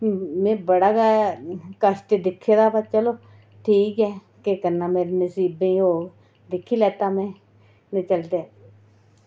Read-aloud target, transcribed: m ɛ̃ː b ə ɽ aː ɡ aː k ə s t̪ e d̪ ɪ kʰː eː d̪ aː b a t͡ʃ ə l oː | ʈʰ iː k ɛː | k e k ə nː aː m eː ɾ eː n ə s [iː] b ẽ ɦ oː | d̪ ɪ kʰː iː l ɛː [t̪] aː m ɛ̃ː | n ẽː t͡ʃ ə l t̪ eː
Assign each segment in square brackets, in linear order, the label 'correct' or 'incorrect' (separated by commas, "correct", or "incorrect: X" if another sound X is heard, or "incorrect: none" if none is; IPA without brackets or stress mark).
correct, correct